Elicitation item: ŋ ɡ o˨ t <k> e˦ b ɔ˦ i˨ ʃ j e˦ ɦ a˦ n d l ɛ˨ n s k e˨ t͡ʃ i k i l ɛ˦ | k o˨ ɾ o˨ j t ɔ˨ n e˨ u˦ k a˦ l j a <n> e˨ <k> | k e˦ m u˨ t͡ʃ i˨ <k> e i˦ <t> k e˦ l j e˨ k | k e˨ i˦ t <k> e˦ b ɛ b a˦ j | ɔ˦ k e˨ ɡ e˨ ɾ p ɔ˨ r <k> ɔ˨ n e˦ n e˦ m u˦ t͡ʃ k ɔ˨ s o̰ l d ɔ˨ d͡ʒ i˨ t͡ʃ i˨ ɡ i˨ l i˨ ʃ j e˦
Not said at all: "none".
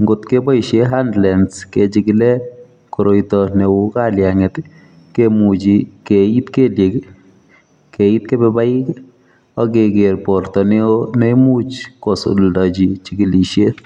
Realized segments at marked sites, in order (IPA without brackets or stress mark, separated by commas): k, ŋ, t, k, t, k, t